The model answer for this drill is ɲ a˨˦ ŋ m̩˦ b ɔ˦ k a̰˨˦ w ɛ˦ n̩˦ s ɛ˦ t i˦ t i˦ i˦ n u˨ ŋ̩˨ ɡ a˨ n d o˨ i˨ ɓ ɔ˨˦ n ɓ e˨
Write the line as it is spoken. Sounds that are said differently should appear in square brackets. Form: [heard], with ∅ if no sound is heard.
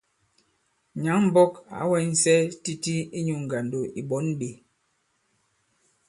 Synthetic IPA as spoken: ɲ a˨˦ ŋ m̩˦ b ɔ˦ k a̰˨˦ w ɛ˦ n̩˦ s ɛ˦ t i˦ t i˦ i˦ [ɲ] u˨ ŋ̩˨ ɡ a˨ n d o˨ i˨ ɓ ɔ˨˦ n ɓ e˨